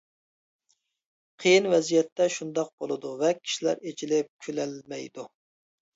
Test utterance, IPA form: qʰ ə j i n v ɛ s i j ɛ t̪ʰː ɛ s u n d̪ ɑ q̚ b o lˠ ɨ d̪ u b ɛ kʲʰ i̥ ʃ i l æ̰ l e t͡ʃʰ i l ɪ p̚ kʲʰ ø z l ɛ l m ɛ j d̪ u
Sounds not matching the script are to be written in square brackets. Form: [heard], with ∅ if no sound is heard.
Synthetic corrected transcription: qʰ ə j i n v ɛ [z] i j ɛ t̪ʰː ɛ [ʃ] u n d̪ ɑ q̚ b o lˠ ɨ d̪ u [v] ɛ kʲʰ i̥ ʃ i l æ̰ [ɾ] e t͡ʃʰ i l ɪ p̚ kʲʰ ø [∅] l ɛ l m ɛ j d̪ u